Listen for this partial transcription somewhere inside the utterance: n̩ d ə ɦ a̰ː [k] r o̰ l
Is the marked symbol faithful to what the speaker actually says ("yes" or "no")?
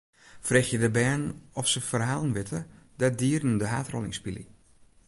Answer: no